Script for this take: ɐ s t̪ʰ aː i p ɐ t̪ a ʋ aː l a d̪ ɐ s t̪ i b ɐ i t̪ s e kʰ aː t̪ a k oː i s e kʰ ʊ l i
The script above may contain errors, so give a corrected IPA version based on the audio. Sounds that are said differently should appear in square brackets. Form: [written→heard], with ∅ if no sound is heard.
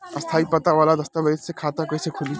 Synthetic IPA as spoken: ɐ s t̪ʰ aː i p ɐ t̪ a ʋ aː l a d̪ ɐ s t̪ [i→a] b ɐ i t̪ s e kʰ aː t̪ a k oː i s e kʰ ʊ l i

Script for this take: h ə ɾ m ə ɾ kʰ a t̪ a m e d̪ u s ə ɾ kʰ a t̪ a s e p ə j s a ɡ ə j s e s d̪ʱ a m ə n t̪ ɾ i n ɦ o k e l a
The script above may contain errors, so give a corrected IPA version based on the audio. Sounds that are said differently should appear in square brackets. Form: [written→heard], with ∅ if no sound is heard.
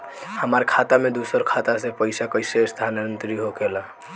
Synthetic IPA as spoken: h ə [ɾ→∅] m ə ɾ kʰ a t̪ a m e d̪ u s ə ɾ kʰ a t̪ a s e p ə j s a [ɡ→k] ə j s e s d̪ʱ a [m→n] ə n t̪ ɾ i [n→∅] ɦ o k e l a

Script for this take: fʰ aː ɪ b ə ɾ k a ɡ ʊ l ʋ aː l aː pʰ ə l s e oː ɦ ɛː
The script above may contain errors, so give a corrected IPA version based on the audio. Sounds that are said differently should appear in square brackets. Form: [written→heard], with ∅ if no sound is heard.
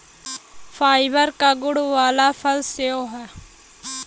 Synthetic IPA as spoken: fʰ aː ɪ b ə ɾ k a ɡ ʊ [l→ɽ] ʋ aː l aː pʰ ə l s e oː ɦ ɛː

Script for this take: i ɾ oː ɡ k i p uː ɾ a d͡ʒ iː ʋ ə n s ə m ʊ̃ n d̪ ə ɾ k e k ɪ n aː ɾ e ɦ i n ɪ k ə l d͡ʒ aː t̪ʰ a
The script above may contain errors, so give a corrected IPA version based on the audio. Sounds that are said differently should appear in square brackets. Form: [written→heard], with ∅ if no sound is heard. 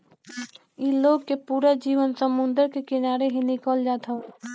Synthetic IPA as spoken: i [ɾ→l] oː ɡ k [i→e] p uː ɾ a d͡ʒ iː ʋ ə n s ə m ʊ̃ n d̪ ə ɾ k e k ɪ n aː ɾ e ɦ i n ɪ k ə l d͡ʒ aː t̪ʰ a

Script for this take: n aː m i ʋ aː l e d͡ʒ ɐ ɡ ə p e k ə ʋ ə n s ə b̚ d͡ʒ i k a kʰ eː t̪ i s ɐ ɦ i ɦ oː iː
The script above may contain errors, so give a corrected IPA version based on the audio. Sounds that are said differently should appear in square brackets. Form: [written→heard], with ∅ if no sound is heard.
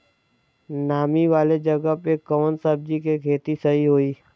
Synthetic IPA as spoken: n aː m i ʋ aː l e d͡ʒ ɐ ɡ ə p e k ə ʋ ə n s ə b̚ d͡ʒ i k [a→e] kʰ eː t̪ i s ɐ ɦ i ɦ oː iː

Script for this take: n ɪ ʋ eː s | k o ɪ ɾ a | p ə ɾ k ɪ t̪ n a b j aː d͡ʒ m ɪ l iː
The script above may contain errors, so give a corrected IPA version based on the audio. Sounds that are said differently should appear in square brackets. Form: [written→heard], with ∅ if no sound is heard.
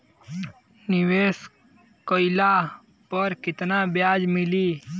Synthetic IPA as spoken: n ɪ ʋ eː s | k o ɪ [ɾ→l] a | p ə ɾ k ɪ t̪ n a b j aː d͡ʒ m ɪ l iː

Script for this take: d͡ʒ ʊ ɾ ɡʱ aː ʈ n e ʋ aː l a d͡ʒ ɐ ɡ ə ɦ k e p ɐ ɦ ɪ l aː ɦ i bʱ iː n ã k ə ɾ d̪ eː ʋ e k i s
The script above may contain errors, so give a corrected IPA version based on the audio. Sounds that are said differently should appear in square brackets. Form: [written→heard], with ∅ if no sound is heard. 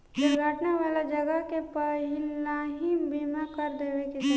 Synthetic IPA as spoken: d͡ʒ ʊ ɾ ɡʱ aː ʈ n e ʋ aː l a d͡ʒ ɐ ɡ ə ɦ k e p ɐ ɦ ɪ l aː ɦ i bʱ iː [n→m] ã k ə ɾ d̪ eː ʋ e k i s

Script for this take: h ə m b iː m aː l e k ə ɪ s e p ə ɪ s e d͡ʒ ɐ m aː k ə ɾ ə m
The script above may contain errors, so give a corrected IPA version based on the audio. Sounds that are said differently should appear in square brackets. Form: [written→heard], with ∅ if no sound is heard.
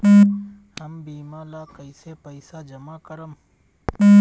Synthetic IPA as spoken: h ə m b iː m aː l [e→a] k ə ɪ s e p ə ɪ s [e→a] d͡ʒ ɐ m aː k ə ɾ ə m

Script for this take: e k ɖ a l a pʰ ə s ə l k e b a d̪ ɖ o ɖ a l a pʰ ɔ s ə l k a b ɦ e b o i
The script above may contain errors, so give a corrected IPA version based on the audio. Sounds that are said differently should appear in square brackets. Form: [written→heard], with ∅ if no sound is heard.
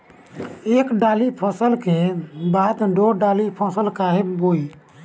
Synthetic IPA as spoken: e k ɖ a l [a→i] pʰ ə s ə l k e b a d̪ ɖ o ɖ a l [a→i] pʰ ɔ s ə l k a [b→∅] ɦ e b o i

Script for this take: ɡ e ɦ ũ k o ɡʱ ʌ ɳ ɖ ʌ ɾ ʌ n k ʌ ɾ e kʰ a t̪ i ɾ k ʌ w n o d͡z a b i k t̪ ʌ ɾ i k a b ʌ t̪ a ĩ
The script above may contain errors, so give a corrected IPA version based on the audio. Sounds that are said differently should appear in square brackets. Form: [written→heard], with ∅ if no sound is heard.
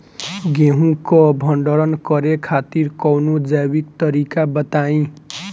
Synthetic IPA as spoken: ɡ e ɦ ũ k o [ɡʱ→bʱ] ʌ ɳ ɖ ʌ ɾ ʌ n k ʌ ɾ e kʰ a t̪ i ɾ k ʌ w n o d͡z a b i k t̪ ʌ ɾ i k a b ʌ t̪ a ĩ

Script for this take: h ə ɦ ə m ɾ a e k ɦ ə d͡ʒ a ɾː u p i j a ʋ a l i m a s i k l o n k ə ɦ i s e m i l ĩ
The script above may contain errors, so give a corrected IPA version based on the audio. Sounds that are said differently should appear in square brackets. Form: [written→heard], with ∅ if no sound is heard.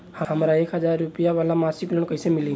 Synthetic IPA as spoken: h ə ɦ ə m ɾ a e k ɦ ə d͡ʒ a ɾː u p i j a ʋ a l [i→a] m a s i k l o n k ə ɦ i s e m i l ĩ

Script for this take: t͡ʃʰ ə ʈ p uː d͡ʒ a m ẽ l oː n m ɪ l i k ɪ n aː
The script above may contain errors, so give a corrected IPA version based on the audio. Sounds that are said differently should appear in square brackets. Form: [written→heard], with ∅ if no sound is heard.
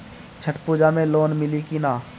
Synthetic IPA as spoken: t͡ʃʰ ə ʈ p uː d͡ʒ a m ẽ l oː n m ɪ l i k [ɪ→i] n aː

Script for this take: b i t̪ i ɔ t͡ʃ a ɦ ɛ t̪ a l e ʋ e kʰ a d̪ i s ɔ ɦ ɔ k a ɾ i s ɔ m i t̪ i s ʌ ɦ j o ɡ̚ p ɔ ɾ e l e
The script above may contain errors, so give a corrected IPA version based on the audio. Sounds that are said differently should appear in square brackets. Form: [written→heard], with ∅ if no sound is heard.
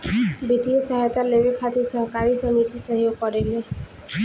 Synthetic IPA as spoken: b i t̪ i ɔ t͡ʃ a ɦ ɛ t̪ a l e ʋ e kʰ a [d̪→t̪] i s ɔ ɦ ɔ k a ɾ i s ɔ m i t̪ i s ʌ ɦ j o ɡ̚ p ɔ ɾ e l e

